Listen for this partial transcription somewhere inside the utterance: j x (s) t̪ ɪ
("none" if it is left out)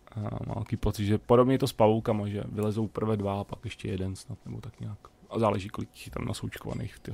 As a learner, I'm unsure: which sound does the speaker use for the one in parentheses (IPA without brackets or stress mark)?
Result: f